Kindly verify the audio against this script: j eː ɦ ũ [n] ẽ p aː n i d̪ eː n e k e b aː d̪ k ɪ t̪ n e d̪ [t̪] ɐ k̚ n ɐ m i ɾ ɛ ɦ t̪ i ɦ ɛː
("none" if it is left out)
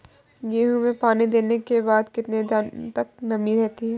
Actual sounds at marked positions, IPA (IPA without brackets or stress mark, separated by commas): m, t̪